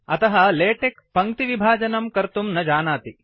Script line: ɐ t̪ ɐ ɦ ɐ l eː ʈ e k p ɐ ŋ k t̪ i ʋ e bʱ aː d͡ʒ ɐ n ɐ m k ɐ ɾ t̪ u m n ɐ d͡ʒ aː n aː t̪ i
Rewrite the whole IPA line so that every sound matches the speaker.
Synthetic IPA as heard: ɐ t̪ ɐ ɦ ɐ l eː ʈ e k p ɐ ŋ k t̪ i ʋ i bʱ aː d͡ʒ ɐ n ɐ m k ɐ ɾ t̪ u m n ɐ d͡ʒ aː n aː t̪ i